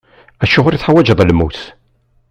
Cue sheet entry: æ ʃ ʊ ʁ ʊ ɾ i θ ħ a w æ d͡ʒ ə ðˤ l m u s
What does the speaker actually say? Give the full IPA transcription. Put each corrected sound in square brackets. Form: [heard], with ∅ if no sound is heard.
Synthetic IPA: æ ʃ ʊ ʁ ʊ ɾ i θ ħ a w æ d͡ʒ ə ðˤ l m u [θ]

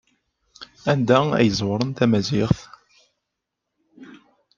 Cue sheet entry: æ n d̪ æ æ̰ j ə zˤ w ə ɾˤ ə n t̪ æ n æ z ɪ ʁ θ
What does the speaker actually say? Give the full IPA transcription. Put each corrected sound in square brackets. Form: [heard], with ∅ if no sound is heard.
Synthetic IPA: æ n d̪ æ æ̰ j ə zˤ w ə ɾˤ ə n t̪ æ [m] æ z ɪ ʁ θ

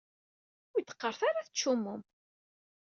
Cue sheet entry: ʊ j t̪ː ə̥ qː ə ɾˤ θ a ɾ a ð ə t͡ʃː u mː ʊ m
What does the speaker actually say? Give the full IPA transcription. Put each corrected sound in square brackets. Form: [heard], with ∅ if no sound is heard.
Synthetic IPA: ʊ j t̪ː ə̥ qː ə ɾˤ θ a ɾ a [θ] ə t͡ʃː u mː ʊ m

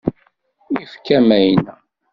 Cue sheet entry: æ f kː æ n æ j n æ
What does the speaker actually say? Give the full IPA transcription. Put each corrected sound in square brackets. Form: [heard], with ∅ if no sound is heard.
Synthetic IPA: [i] f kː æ [m] æ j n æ

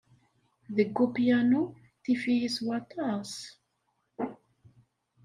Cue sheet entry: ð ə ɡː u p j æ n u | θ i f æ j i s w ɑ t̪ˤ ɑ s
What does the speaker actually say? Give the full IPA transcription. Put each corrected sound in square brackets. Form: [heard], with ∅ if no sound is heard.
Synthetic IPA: ð ə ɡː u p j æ n u | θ i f [i] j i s w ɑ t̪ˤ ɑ s

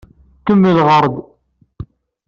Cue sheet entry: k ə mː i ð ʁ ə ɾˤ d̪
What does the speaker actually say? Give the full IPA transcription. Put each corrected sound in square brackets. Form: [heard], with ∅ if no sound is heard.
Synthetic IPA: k ə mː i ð ʁ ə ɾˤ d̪

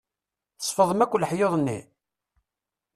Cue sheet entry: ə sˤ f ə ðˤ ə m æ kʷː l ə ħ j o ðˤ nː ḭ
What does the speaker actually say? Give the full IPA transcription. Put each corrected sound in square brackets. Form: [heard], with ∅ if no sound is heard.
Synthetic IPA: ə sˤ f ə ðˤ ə m æ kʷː l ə ħ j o ðˤ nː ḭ

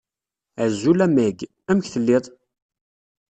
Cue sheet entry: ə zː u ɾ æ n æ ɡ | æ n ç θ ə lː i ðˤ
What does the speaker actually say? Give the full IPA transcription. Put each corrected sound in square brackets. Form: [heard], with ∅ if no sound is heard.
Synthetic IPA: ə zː u [l] æ [m] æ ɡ | æ [m] ç θ ə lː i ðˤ

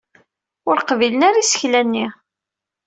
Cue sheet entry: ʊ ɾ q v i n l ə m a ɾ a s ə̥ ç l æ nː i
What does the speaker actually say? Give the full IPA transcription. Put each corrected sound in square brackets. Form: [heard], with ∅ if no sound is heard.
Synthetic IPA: ʊ ɾ q v i [∅] l ə [n] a ɾ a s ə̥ ç l æ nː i

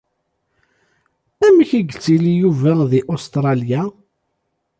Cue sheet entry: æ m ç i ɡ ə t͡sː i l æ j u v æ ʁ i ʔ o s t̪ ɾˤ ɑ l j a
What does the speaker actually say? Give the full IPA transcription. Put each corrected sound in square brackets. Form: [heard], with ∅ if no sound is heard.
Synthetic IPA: æ m ç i ɡ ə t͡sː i l [i] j u v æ [ð] i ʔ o s t̪ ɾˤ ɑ l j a

